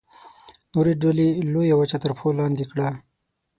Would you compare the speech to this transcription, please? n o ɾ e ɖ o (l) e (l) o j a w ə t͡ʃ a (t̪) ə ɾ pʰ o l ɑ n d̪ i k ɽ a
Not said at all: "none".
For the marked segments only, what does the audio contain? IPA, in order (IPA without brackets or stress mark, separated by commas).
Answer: l, l, t̪